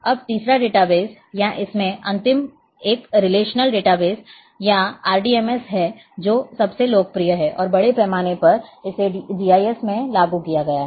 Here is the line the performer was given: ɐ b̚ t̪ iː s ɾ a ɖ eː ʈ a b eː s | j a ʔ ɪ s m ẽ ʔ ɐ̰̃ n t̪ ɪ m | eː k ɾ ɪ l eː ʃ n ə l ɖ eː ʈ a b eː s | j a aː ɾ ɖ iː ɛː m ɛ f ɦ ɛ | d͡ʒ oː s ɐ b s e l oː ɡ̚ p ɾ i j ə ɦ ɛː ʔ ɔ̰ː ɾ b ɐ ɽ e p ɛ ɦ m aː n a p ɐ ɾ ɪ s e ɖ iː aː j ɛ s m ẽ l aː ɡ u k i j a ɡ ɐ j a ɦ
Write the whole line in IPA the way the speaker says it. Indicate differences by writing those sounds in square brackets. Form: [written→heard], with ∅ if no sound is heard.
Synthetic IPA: ɐ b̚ t̪ iː s ɾ a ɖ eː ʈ a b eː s | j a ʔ ɪ s m ẽ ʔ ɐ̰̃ n t̪ ɪ m | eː k ɾ ɪ l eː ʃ n ə l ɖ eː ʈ a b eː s | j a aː ɾ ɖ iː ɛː m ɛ [f→s] ɦ ɛ | d͡ʒ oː s ɐ b s e l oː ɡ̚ p ɾ i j ə ɦ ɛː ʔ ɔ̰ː ɾ b ɐ ɽ e p ɛ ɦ m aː n [a→e] p ɐ ɾ ɪ s e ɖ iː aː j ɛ s m ẽ l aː ɡ u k i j a ɡ ɐ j a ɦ